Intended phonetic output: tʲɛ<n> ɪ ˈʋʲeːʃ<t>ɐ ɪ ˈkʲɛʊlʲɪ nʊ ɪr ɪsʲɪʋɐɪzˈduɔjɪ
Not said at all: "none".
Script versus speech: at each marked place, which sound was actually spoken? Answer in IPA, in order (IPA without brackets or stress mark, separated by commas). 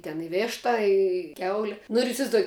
n, t